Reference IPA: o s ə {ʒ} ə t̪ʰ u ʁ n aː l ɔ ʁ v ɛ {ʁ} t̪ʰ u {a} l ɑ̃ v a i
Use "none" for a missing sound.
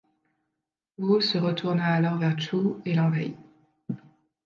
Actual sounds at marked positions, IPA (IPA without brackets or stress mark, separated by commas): ʁ, ʁ, e